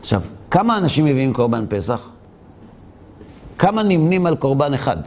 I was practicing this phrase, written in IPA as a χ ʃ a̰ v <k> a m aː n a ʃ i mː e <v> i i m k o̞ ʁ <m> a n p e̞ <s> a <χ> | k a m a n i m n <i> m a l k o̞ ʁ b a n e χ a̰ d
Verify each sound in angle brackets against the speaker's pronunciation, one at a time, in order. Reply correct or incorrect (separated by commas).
correct, correct, incorrect, correct, correct, correct